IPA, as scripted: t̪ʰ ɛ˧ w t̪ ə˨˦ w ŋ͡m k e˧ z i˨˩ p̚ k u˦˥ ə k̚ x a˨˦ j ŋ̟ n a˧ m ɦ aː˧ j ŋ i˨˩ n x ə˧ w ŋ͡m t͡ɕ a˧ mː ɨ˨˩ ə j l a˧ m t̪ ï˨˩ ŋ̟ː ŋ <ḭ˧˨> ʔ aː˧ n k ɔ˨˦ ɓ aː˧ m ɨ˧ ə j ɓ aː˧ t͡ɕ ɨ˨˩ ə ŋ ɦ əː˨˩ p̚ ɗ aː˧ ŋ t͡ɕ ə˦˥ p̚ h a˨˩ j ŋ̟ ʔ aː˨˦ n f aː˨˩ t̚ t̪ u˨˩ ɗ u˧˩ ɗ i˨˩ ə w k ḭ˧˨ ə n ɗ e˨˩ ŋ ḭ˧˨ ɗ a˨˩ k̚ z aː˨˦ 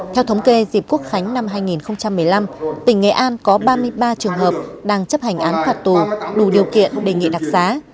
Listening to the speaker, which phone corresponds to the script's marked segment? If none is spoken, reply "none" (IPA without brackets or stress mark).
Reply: ḛ˧˨